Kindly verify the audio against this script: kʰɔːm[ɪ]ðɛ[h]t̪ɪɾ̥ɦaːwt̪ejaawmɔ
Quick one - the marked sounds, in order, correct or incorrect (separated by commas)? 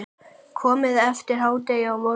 correct, incorrect